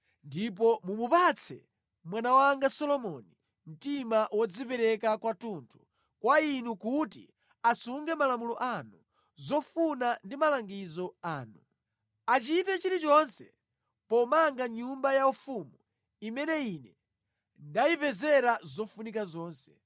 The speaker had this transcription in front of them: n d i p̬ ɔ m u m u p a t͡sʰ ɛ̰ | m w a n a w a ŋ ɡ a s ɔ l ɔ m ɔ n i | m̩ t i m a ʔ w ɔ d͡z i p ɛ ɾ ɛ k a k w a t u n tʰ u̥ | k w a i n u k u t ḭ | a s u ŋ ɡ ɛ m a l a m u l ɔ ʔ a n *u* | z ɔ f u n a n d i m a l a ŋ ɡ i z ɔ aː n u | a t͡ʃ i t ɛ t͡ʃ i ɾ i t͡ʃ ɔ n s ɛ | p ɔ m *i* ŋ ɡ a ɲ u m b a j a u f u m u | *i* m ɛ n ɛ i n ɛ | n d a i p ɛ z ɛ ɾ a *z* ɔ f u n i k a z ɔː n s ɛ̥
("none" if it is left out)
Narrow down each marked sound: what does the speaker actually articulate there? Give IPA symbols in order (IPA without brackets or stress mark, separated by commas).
u, a, i, z